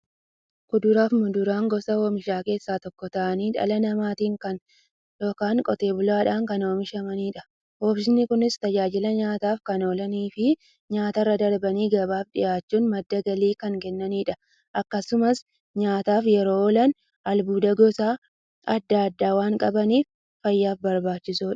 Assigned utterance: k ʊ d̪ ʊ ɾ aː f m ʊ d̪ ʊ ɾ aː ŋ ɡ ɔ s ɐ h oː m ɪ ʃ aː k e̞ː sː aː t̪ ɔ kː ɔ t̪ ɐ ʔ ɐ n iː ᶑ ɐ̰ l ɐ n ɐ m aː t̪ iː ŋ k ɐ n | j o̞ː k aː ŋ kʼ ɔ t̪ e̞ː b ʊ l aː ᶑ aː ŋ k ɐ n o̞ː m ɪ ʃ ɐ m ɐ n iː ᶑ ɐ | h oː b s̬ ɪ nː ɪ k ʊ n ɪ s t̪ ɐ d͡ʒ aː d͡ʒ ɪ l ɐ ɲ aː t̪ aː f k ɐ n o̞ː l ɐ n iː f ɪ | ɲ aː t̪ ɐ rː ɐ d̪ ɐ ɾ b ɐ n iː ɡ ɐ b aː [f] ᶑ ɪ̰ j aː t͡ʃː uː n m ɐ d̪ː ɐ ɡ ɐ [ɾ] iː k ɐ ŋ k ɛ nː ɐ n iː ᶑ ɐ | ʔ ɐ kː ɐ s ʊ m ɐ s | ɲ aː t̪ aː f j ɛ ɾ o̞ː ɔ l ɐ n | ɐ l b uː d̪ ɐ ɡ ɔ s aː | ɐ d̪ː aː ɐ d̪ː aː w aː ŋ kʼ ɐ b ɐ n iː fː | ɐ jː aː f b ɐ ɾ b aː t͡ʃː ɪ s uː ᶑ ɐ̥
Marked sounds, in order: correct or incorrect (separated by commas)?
correct, incorrect